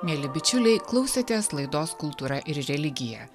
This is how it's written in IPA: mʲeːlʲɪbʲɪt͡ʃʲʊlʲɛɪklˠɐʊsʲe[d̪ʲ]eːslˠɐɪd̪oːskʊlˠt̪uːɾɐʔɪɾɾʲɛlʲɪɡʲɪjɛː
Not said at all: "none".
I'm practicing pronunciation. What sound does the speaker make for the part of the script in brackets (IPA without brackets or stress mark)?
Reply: t̪ʲ